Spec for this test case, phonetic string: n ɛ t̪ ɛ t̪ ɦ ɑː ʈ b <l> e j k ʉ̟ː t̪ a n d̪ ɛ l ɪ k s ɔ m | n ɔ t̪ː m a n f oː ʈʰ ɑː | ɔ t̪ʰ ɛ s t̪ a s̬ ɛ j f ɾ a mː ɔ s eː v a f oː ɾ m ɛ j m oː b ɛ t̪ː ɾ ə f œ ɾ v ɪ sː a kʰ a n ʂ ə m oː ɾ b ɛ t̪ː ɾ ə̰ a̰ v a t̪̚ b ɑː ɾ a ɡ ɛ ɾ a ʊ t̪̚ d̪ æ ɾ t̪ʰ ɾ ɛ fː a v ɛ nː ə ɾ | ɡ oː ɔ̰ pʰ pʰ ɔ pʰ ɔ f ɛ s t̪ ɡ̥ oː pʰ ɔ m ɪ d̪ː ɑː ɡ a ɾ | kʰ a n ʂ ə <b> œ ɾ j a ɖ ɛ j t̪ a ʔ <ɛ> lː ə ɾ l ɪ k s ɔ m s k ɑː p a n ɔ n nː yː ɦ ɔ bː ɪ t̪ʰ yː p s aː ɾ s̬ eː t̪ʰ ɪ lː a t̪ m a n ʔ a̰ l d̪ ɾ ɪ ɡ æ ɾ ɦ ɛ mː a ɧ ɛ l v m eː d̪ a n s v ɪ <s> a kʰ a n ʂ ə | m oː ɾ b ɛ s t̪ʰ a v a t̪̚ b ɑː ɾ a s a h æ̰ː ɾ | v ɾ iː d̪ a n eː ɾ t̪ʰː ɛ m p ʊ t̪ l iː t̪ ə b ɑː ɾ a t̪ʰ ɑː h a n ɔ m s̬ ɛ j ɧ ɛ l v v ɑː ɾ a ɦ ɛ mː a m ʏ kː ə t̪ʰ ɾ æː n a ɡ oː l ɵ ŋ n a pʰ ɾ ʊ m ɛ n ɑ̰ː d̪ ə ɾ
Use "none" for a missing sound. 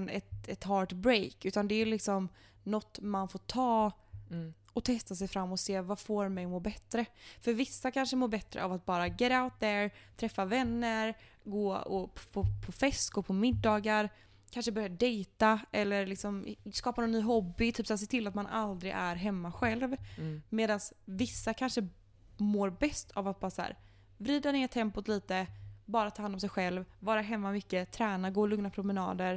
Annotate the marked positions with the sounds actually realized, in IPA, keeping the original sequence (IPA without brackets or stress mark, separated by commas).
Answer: ɾ, b, ɛ, sː